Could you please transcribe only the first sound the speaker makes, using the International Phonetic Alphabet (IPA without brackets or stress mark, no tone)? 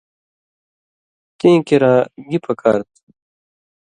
t̪